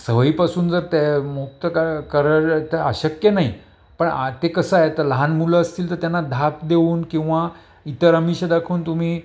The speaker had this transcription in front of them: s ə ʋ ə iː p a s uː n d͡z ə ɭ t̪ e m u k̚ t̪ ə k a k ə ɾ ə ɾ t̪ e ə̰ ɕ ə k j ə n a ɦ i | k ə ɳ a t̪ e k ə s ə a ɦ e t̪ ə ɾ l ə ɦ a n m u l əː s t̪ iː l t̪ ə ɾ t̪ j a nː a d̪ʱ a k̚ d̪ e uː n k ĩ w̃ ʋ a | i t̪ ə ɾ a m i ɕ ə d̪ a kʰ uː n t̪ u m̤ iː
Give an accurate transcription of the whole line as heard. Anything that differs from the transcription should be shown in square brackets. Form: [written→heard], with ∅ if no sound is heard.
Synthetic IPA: s ə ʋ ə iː p a s uː n d͡z ə [ɭ→ɾ] t̪ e m u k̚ t̪ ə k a k ə ɾ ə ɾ t̪ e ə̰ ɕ ə k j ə n a ɦ i | [k→p] ə ɳ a t̪ e k ə s ə a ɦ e t̪ ə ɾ l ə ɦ a n m u l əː s t̪ iː l t̪ ə ɾ t̪ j a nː a d̪ʱ a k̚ d̪ e uː n k ĩ w̃ ʋ a | i t̪ ə ɾ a m i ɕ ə d̪ a kʰ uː n t̪ u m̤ iː